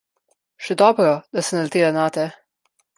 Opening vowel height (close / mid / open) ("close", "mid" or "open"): mid